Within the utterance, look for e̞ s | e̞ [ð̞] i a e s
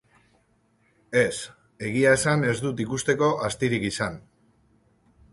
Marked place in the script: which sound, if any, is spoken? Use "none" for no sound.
ɣ̞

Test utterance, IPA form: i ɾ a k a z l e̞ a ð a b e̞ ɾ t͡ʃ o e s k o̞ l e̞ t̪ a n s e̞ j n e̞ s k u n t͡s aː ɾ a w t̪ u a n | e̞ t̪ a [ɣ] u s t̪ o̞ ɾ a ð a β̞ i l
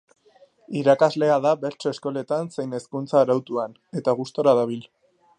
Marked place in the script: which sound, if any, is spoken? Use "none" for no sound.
ɣ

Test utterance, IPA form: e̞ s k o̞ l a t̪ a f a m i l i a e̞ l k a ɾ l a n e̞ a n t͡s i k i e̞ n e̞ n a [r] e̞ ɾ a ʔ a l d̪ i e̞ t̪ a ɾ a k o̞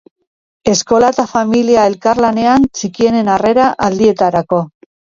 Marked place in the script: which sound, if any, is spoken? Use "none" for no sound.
r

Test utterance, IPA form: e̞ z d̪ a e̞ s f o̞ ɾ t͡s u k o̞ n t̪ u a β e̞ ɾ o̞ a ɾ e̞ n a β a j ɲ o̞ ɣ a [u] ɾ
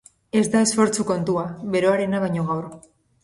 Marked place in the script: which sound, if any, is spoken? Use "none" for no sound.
w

